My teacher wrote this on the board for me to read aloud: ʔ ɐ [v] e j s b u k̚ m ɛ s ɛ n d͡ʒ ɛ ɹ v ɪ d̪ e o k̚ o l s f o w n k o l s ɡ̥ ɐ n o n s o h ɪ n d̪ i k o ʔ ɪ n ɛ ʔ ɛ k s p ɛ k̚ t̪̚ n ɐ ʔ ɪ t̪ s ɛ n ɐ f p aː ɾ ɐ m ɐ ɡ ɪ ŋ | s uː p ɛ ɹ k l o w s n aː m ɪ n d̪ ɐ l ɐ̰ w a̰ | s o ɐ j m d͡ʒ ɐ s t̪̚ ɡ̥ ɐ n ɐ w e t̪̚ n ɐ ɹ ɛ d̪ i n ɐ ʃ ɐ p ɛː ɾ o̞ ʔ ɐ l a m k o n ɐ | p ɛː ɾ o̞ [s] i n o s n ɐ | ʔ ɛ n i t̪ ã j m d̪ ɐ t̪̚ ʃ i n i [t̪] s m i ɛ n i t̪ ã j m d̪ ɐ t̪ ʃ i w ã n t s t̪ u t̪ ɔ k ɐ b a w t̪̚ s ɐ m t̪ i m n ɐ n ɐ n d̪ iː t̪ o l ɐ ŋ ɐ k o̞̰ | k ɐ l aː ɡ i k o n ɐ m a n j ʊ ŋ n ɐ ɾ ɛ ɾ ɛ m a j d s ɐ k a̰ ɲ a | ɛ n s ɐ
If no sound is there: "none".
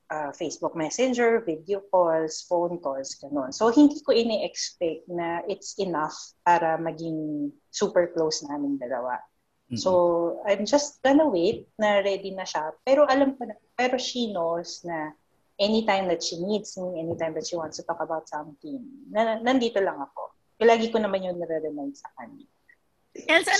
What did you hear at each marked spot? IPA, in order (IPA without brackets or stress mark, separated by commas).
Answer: f, ʃ, d̪